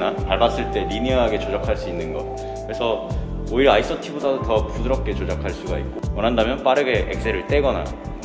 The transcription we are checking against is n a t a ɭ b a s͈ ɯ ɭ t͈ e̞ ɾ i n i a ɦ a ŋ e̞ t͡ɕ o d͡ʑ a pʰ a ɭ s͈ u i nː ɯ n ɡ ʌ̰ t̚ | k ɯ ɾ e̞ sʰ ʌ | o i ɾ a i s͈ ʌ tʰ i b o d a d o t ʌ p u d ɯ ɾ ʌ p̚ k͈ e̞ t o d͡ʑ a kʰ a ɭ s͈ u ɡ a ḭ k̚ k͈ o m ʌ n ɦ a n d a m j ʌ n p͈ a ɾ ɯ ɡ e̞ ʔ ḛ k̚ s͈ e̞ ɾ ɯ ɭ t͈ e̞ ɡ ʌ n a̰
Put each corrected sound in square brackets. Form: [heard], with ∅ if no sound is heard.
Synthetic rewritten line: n a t a ɭ b a s͈ ɯ ɭ t͈ e̞ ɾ i n i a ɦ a [ɡ] e̞ t͡ɕ o d͡ʑ a [kʰ] a ɭ s͈ u i nː ɯ n ɡ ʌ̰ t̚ | k ɯ ɾ e̞ sʰ ʌ | o i ɾ a i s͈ ʌ tʰ i b o d a d o t ʌ p u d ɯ ɾ ʌ p̚ k͈ e̞ [t͡ɕ] o d͡ʑ a kʰ a ɭ s͈ u ɡ a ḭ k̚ k͈ o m ʌ n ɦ a n d a m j ʌ n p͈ a ɾ ɯ ɡ e̞ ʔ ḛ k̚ s͈ e̞ ɾ ɯ ɭ t͈ e̞ ɡ ʌ n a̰